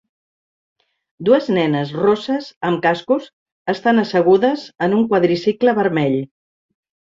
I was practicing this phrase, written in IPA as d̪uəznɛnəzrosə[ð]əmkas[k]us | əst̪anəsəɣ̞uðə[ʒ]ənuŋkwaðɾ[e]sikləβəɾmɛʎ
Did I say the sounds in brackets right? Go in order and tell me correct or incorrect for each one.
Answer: incorrect, correct, incorrect, incorrect

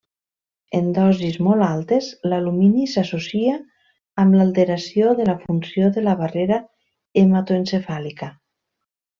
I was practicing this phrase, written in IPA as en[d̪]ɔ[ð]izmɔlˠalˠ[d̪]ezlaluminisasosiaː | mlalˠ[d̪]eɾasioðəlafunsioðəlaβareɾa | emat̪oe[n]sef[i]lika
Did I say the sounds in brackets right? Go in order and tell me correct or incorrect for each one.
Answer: correct, incorrect, incorrect, incorrect, correct, incorrect

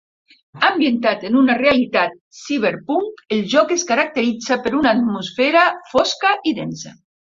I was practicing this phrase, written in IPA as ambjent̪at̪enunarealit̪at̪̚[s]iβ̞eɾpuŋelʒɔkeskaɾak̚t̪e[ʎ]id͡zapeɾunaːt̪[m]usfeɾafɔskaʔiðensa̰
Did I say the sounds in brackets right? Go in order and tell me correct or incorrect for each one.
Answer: correct, incorrect, correct

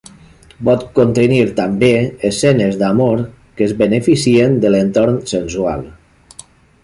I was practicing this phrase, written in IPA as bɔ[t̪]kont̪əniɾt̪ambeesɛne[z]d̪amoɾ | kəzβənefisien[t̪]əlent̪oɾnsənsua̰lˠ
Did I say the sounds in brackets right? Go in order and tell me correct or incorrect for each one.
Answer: correct, correct, incorrect

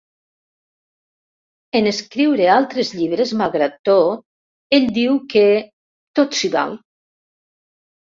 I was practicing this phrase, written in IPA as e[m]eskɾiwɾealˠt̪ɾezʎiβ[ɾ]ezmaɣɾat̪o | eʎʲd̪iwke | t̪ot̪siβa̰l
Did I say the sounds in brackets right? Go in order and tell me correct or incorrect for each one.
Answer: incorrect, correct

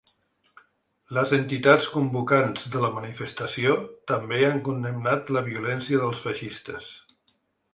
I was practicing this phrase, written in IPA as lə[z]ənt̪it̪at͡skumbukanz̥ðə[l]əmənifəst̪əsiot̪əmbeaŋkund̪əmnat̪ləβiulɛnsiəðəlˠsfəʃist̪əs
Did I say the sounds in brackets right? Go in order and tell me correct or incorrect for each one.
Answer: correct, correct

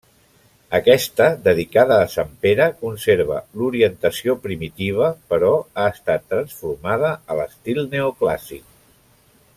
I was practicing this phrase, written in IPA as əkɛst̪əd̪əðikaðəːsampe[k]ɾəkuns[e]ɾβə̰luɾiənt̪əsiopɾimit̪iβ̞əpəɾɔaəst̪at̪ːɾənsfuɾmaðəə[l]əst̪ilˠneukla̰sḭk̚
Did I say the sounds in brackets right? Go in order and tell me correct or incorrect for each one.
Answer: incorrect, correct, correct

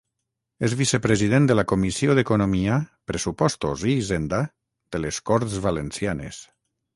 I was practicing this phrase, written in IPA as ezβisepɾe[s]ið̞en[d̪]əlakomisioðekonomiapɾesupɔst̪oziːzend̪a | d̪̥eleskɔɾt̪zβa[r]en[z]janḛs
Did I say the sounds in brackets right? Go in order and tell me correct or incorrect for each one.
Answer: incorrect, correct, incorrect, incorrect

